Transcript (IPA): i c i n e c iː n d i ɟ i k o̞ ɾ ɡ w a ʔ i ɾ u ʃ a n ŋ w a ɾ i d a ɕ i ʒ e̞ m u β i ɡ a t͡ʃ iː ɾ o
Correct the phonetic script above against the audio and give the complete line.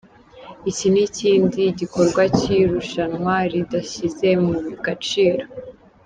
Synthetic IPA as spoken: i c i n i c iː n d i ɟ i k o̞ ɾ ɡ w a c i ɾ u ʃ a n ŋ w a ɾ i d a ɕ i z e̞ m u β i ɡ a t͡ʃ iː ɾ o